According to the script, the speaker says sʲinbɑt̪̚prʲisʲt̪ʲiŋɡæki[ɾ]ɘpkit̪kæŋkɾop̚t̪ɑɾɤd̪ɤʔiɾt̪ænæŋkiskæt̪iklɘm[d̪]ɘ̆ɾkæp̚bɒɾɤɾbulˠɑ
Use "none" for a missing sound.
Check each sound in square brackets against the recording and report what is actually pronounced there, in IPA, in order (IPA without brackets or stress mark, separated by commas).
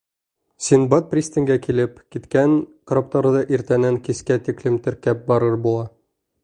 l, t̪